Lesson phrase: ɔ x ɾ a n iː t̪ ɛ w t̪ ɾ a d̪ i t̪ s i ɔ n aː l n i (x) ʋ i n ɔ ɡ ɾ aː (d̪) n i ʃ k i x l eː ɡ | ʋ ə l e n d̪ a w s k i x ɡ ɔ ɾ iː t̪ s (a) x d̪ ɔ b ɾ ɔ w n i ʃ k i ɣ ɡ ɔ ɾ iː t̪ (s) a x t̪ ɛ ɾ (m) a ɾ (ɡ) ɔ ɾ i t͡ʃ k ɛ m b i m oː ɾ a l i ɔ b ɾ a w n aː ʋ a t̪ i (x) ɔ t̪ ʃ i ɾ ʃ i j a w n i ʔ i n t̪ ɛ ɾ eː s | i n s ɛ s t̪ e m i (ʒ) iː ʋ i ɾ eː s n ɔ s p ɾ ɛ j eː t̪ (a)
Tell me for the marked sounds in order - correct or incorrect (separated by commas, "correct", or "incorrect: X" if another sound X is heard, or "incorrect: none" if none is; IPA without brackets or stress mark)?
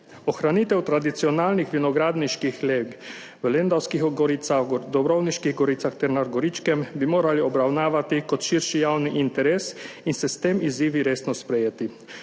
correct, correct, correct, correct, incorrect: n, correct, incorrect: k, incorrect: z, incorrect: i